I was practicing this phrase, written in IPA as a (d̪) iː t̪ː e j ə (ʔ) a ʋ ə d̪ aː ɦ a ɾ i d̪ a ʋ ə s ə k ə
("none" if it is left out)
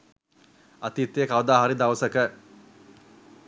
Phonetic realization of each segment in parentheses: t̪, k

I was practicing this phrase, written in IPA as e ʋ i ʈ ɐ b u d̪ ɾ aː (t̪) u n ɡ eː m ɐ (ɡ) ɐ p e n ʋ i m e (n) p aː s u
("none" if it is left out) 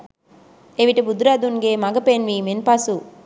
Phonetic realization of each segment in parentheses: d̪, ɡ, n

